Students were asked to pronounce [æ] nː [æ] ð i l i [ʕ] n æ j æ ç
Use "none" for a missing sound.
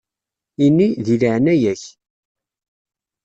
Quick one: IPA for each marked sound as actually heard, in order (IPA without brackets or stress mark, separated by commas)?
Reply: i, i, ʕ